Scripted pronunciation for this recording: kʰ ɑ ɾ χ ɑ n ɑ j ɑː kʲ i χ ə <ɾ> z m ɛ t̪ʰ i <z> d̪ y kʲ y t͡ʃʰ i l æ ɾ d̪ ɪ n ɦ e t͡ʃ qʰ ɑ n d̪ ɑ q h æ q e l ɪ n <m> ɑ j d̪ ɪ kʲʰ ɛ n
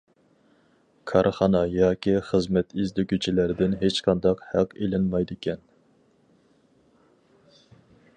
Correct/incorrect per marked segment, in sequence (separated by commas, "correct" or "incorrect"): incorrect, correct, correct